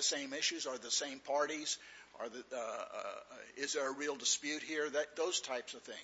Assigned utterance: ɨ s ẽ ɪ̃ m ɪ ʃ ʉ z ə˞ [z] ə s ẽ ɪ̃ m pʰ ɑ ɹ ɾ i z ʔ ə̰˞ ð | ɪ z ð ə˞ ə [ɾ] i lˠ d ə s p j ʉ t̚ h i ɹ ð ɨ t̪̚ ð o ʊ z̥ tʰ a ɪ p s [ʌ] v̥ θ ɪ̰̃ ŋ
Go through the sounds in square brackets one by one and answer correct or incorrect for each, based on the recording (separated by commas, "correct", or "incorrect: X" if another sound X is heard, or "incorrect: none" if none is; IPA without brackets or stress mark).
incorrect: ð, incorrect: ɹ, correct